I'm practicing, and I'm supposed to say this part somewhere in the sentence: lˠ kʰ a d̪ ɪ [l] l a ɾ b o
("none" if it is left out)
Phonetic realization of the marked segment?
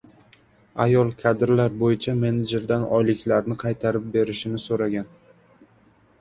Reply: ɾ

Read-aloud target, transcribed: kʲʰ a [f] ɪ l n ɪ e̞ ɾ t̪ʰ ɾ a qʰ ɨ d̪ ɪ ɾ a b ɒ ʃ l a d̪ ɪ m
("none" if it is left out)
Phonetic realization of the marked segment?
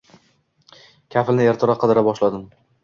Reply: f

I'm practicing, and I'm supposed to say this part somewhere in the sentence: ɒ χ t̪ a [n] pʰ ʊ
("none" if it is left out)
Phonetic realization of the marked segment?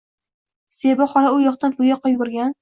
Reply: n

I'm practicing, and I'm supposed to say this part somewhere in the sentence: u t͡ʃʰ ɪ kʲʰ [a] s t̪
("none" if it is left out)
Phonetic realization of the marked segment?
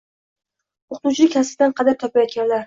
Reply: a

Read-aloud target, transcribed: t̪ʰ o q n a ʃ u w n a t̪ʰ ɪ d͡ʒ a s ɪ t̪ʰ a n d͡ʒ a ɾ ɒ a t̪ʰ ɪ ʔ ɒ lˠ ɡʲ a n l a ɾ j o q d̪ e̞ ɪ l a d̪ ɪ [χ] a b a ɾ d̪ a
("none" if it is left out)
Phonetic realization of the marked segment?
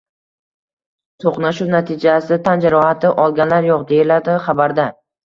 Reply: χ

